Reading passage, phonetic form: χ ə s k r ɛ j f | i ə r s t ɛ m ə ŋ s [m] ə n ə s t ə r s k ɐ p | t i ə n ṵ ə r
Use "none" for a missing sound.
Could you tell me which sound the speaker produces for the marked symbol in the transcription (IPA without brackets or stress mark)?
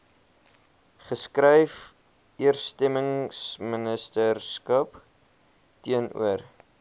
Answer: m